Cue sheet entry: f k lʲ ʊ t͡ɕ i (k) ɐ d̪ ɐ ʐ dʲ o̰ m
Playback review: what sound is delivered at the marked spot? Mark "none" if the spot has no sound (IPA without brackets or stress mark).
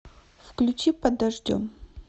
p